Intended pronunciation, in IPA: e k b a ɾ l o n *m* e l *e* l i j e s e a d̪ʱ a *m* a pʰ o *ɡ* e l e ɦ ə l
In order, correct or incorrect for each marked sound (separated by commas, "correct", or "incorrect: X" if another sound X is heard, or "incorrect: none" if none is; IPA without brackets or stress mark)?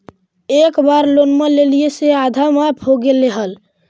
correct, correct, correct, correct